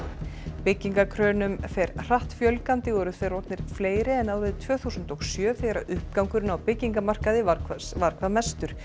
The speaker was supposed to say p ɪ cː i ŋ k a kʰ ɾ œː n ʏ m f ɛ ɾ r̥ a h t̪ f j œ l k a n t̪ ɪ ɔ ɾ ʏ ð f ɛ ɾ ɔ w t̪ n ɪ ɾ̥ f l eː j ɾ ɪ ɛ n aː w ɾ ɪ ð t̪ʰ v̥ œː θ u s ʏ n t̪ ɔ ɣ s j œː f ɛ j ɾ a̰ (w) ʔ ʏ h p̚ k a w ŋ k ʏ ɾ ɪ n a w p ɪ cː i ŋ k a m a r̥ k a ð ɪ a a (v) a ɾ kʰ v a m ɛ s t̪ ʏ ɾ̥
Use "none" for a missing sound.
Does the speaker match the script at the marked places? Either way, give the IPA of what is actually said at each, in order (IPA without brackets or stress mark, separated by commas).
none, v